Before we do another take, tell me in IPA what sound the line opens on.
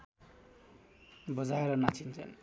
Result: b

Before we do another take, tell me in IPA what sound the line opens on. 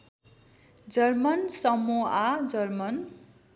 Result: d͡z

